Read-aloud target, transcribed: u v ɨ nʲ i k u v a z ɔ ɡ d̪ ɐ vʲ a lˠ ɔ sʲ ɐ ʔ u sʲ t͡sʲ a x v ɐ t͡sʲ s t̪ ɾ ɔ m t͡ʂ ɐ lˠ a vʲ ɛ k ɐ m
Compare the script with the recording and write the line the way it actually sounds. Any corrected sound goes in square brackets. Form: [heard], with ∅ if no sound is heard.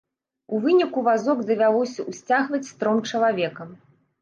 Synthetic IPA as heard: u v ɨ nʲ i k u v a z ɔ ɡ d̪ ɐ vʲ a lˠ ɔ sʲ ɐ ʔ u sʲ t͡sʲ a [ɣ] v ɐ t͡sʲ s t̪ ɾ ɔ m t͡ʂ ɐ lˠ a vʲ ɛ k ɐ m